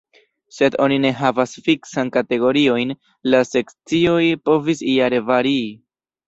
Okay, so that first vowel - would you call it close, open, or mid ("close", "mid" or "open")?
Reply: mid